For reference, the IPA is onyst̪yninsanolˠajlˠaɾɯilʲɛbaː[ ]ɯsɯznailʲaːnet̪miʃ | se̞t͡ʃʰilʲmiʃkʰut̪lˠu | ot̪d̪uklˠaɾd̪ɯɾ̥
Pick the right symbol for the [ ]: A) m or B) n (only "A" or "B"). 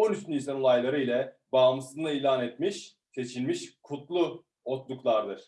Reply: A